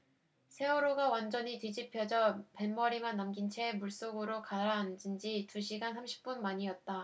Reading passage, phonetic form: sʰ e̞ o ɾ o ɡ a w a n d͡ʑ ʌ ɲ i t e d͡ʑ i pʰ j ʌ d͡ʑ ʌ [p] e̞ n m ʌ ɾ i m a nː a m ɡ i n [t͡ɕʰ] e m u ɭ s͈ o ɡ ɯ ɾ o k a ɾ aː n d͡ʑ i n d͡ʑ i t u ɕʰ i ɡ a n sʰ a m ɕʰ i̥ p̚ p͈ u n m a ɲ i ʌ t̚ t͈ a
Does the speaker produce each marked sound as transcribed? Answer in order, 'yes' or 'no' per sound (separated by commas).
yes, yes